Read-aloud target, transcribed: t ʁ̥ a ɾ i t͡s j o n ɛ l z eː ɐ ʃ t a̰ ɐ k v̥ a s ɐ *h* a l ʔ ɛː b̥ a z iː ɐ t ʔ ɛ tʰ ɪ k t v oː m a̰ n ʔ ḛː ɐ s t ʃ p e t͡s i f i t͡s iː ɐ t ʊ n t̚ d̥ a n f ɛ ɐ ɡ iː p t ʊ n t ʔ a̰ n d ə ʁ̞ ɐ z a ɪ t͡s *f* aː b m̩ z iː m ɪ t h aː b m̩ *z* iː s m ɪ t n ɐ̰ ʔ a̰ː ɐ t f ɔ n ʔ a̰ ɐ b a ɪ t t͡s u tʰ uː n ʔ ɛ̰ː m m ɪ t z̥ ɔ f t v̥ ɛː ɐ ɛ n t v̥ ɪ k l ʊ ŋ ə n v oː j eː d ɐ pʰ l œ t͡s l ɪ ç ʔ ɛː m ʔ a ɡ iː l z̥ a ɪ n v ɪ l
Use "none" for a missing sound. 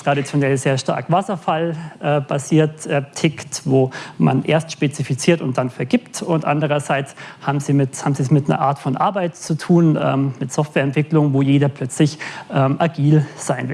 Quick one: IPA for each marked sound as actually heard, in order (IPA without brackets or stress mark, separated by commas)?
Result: f, h, z